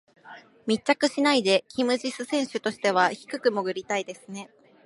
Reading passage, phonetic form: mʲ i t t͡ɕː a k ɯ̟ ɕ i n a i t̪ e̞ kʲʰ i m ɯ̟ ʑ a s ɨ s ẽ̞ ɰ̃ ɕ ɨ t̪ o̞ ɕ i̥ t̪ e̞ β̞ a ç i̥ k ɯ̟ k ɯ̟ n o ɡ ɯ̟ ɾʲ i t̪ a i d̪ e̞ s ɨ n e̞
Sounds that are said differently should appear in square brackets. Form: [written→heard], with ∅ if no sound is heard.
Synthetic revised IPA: mʲ i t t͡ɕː a k ɯ̟ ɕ i n a i [t̪→d̪] e̞ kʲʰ i m ɯ̟ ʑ [a→i] s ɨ s ẽ̞ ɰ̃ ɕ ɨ t̪ o̞ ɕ i̥ t̪ e̞ β̞ a ç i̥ k ɯ̟ k ɯ̟ [n→m] o ɡ ɯ̟ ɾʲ i t̪ a i d̪ e̞ s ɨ n e̞